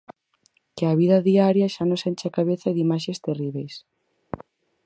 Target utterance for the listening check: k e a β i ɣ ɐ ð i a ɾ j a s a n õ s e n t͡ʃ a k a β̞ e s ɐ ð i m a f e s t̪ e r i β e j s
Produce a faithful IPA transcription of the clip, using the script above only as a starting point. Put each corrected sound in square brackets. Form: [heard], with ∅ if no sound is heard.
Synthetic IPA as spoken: k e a β i [ð] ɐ ð i a ɾ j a [ʃ] a n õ s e n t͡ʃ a k a β̞ e [θ] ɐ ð i m a [ʃ] e s t̪ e r i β e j s